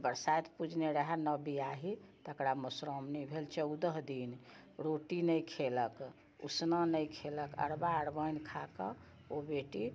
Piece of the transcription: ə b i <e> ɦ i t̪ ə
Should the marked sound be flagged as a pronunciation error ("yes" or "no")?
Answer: yes